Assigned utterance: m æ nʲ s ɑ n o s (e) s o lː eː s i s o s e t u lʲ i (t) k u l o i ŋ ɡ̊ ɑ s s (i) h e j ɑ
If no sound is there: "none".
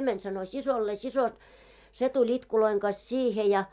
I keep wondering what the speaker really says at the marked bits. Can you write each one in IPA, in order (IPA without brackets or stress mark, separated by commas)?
i, t, iː